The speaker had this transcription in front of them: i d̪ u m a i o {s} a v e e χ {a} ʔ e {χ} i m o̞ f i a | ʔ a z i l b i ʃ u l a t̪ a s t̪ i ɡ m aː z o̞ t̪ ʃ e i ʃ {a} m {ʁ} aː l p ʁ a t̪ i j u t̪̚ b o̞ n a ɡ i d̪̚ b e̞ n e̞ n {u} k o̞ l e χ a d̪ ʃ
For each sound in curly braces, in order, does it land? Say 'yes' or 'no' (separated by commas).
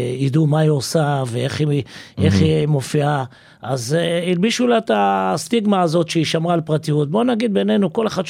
yes, no, yes, yes, yes, yes